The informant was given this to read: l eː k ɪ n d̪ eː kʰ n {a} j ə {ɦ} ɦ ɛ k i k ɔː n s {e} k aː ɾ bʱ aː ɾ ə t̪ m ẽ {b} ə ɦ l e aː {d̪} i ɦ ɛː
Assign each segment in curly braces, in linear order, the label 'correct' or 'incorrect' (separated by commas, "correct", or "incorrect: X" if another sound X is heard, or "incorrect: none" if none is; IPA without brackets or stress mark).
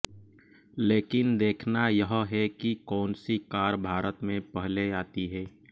correct, correct, incorrect: i, incorrect: p, incorrect: t̪